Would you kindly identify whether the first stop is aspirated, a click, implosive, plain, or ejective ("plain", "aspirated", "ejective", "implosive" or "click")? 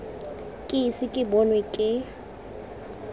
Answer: ejective